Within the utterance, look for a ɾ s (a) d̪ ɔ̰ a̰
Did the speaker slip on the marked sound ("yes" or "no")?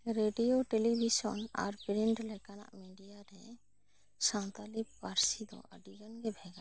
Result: yes